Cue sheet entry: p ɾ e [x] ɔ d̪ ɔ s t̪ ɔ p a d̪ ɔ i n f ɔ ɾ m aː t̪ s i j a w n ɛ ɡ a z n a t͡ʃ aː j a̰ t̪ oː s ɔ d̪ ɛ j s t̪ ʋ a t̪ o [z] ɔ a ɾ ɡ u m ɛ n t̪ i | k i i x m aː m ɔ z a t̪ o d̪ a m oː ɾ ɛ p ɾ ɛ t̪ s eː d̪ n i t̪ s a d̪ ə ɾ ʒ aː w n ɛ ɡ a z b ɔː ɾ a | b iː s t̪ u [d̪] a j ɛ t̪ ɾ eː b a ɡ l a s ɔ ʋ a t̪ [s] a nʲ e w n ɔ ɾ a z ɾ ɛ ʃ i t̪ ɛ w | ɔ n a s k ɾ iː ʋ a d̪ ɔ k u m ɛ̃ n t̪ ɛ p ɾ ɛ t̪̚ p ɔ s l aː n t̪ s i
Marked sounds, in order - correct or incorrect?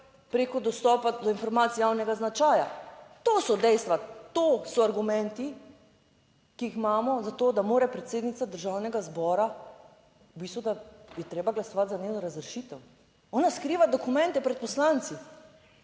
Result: incorrect: k, incorrect: s, correct, incorrect: z

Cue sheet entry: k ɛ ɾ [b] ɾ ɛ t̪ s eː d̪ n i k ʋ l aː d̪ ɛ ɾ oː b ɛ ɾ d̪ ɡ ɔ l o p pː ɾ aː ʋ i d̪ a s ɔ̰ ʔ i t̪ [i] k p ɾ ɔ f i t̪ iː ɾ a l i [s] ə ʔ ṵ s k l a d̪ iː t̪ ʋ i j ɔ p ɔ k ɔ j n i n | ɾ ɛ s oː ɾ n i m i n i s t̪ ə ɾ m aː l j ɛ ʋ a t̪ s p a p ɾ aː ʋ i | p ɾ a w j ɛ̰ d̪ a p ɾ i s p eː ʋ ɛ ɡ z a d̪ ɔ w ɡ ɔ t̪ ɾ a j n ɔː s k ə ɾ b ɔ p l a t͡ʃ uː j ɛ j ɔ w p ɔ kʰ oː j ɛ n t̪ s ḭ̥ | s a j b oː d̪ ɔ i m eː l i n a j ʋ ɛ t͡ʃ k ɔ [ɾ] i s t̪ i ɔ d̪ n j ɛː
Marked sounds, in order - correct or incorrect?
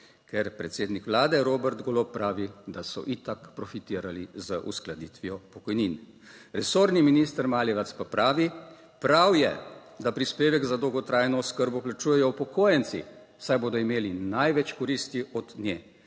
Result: incorrect: p, incorrect: a, incorrect: z, correct

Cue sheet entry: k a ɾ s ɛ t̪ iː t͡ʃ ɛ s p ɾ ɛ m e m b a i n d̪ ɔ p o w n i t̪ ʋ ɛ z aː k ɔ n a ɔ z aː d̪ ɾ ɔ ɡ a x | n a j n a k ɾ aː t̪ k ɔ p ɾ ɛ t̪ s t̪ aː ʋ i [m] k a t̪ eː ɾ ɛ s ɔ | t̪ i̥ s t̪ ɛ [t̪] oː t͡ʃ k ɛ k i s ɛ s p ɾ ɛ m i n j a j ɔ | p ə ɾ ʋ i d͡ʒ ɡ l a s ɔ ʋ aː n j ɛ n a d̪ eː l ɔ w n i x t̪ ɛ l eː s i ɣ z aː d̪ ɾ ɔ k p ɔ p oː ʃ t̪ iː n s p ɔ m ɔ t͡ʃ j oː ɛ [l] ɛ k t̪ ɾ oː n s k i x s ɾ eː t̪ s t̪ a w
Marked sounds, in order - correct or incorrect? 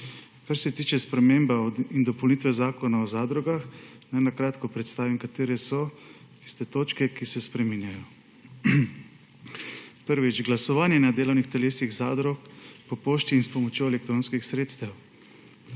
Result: correct, correct, correct

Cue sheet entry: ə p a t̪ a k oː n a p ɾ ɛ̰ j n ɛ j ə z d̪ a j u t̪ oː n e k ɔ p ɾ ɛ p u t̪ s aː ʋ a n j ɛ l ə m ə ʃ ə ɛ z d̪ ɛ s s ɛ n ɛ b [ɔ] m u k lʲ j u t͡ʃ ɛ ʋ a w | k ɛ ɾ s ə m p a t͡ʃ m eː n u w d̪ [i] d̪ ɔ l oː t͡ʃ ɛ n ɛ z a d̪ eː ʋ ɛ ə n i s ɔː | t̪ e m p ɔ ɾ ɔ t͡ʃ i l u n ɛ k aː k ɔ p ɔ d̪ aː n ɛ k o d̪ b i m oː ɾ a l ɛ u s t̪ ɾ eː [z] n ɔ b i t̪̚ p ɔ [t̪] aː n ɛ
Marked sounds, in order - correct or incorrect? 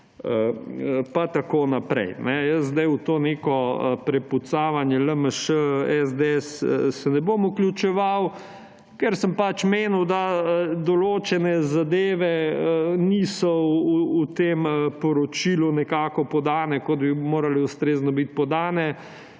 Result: incorrect: o, incorrect: a, correct, incorrect: d̪

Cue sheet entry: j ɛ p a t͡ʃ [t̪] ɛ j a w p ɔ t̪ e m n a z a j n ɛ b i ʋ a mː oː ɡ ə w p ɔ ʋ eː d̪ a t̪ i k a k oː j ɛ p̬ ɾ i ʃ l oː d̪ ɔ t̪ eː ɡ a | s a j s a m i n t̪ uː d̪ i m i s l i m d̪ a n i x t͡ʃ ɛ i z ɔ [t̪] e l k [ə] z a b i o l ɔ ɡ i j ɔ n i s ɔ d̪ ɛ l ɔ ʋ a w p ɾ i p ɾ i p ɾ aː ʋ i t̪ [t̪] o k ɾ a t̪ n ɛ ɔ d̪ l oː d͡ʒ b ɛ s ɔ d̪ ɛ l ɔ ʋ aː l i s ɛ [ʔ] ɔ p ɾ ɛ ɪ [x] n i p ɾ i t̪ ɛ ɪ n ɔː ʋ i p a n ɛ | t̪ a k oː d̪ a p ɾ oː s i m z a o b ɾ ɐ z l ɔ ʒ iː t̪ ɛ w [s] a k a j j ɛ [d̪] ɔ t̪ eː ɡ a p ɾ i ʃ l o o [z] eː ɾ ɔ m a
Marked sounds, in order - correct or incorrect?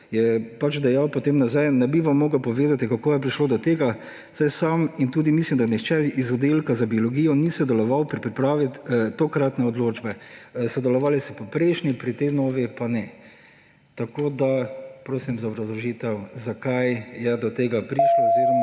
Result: incorrect: d̪, incorrect: d̪, incorrect: a, correct, incorrect: p, incorrect: ʃ, incorrect: z, correct, correct

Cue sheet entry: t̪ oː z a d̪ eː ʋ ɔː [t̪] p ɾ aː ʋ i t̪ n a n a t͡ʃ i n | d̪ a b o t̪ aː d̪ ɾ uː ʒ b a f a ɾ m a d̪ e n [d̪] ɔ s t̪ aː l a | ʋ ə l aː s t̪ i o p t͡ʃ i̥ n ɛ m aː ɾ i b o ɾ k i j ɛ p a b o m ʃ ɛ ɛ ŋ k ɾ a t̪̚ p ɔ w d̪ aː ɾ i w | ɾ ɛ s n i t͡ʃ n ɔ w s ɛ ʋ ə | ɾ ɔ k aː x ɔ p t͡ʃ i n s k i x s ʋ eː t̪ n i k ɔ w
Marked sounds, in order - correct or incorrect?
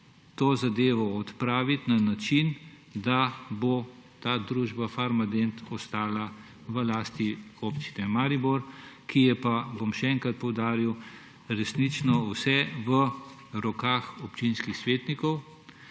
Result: correct, incorrect: t̪

